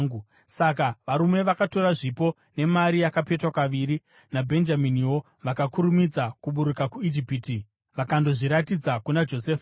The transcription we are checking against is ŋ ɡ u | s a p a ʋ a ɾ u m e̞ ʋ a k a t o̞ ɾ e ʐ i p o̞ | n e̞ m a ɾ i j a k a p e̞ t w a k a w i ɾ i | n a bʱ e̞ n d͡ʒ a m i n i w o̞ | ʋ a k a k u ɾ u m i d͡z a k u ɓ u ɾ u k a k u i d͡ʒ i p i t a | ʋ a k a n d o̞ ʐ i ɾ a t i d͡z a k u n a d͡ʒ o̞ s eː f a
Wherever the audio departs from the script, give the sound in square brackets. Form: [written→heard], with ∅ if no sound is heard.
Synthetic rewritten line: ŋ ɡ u | s a [p→k] a ʋ a ɾ u m e̞ ʋ a k a t o̞ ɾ [e→a] ʐ i p o̞ | n e̞ m a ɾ i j a k a p e̞ t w a k a [w→ʋ] i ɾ i | n a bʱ e̞ n d͡ʒ a m i n i w o̞ | ʋ a k a k u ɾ u m i d͡z a k u ɓ u ɾ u k a k u i d͡ʒ i p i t [a→i] | ʋ a k a n d o̞ ʐ i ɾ a t i d͡z a k u n a d͡ʒ o̞ s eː f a